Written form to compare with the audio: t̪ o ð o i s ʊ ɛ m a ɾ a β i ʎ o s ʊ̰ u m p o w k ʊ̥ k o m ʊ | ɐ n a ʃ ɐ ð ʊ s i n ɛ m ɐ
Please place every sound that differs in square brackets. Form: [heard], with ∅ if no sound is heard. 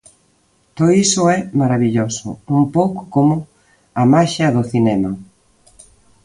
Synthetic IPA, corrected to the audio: t̪ o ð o i s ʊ ɛ m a ɾ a β i ʎ o s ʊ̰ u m p o w k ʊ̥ k o m ʊ | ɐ [m] a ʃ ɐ ð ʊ [θ] i n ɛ m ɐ